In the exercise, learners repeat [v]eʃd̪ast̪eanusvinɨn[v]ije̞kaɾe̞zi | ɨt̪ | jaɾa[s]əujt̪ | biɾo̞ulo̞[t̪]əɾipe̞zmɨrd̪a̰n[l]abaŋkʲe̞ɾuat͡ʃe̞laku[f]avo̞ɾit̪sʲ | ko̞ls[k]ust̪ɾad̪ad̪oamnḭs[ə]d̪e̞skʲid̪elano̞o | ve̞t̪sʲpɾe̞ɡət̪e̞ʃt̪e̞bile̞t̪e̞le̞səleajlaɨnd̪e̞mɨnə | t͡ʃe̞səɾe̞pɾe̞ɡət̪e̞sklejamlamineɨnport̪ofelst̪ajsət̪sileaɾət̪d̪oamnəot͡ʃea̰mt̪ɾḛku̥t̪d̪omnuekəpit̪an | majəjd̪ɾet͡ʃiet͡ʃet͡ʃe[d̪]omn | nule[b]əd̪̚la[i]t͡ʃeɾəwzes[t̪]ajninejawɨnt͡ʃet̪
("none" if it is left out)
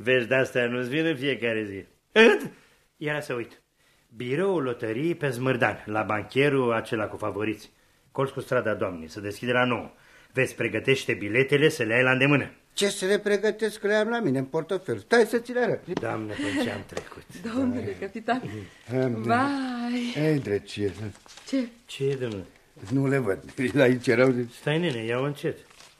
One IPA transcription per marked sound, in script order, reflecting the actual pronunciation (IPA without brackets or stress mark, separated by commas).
v, f, s, t̪, l, f, k, ə, d̪, v, i, t̪